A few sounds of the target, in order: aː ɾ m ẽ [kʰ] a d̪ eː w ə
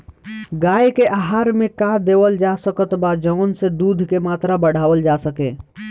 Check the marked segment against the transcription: incorrect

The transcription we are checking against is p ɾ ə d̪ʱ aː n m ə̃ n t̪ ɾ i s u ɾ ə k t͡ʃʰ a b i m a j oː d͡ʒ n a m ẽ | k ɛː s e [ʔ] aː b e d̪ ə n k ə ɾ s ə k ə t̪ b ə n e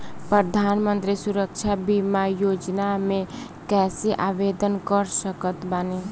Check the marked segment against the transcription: correct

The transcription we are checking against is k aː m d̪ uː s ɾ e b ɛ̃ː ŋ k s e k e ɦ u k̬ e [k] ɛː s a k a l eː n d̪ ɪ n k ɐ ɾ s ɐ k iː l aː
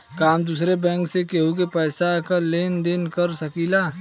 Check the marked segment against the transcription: incorrect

